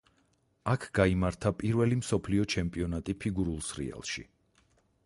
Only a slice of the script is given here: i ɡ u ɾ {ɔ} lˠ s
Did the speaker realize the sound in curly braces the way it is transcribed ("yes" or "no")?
no